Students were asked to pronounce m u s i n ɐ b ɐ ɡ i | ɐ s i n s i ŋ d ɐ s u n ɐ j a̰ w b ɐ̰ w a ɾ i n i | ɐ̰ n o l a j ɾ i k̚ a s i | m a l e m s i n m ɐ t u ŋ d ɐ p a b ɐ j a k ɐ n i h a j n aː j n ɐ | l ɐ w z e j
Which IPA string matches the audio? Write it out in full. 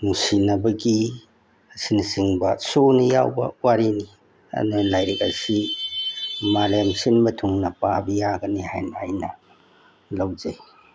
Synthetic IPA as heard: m u s i n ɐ b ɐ ɡ i | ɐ s i n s i ŋ b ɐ s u n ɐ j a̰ w b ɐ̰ w a ɾ i n i | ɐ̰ n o l a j ɾ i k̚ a s i | m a l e m s i n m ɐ tʰ u ŋ n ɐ p a b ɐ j a ɡ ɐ n i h a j n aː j n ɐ | l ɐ w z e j